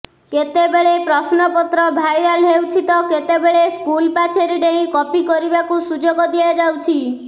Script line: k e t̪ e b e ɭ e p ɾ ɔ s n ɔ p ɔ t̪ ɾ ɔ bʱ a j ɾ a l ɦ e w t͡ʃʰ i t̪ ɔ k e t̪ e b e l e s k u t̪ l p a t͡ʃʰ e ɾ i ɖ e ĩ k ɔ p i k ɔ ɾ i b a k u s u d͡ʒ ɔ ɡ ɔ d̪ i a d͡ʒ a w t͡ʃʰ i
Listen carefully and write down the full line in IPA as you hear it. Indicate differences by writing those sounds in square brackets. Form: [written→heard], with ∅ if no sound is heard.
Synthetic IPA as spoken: k e t̪ e b e ɭ e p ɾ ɔ s n ɔ p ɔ t̪ ɾ ɔ bʱ a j ɾ a l ɦ e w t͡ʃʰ i t̪ ɔ k e t̪ e b e [l→ɭ] e s k u [t̪→∅] l p a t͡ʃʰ e ɾ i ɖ e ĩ k ɔ p i k ɔ ɾ i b a k u s u d͡ʒ [ɔ→o] ɡ ɔ d̪ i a d͡ʒ a w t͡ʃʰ i